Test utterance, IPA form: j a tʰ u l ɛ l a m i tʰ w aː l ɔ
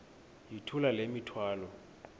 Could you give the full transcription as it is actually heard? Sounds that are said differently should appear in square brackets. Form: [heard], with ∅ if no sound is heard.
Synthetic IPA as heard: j [i] tʰ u l [a] l [e] m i tʰ w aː l ɔ